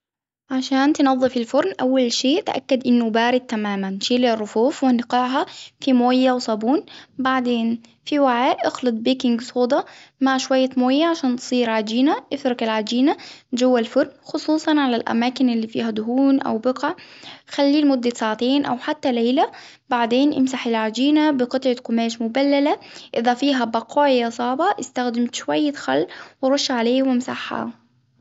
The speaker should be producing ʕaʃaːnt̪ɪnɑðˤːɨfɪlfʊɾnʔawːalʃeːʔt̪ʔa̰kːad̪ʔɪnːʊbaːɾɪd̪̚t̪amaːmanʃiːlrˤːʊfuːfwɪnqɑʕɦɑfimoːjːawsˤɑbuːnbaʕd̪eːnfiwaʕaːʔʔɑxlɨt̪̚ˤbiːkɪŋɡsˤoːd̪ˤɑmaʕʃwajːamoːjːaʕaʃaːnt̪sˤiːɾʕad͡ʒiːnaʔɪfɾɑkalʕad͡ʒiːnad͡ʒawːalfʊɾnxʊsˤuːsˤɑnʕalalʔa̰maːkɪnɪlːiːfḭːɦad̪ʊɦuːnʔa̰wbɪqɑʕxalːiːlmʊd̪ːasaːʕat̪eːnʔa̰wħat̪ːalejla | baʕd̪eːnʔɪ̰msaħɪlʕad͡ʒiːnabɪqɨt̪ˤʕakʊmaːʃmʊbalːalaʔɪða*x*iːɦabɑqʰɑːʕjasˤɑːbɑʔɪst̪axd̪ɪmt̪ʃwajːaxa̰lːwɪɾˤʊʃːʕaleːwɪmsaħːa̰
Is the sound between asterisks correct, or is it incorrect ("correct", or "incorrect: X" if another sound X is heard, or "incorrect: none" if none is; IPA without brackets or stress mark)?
incorrect: f